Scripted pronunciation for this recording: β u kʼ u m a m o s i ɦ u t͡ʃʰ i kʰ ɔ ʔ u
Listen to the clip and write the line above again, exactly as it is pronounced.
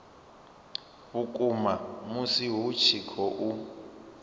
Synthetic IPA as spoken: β u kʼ u m a m u s i ɦ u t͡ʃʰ i kʰ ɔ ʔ u